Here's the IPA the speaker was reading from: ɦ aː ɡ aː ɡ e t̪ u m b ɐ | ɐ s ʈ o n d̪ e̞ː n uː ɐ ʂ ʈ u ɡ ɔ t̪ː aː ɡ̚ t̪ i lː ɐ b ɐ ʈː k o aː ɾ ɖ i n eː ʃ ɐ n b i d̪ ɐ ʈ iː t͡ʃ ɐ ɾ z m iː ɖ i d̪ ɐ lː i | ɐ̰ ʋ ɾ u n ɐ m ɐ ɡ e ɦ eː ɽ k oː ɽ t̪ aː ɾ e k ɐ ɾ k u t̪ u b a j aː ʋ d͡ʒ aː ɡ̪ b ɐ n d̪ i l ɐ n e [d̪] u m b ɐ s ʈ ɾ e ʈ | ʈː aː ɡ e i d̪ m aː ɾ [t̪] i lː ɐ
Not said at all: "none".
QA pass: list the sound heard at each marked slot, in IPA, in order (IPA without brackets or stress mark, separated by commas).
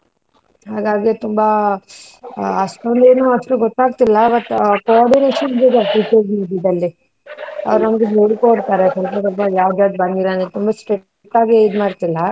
t̪, t̪